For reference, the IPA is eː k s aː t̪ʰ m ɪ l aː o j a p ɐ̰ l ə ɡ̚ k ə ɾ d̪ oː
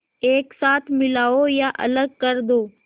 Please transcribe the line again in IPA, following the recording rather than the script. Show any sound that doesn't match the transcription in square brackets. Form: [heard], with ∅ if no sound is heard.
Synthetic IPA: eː k s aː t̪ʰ m ɪ l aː o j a [ʔ] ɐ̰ l ə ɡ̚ k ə ɾ d̪ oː